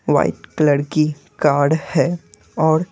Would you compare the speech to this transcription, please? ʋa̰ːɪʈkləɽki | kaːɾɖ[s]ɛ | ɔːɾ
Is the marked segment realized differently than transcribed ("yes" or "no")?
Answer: yes